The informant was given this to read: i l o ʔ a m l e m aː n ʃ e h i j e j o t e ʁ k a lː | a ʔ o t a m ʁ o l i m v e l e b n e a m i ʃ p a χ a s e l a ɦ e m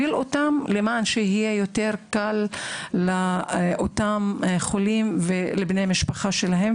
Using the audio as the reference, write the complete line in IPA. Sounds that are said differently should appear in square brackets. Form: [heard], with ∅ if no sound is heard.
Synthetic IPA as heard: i l o [t] a m l e m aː n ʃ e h i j e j o t e ʁ k a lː | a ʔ o t a m [χ] o l i m v e l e b n e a m i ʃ p a χ a [ʃ] e l a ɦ e m